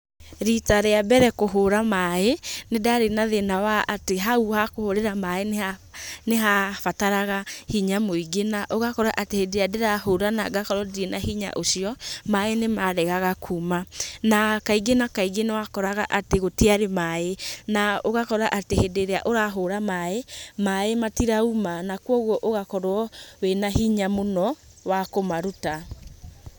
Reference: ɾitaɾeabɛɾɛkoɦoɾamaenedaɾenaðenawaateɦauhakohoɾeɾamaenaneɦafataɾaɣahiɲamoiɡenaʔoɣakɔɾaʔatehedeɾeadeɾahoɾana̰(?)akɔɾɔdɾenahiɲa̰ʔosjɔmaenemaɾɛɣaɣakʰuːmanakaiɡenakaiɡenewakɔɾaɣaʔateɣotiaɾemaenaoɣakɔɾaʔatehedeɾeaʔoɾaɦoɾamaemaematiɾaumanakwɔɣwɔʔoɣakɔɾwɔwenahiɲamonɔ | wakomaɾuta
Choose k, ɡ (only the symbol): ɡ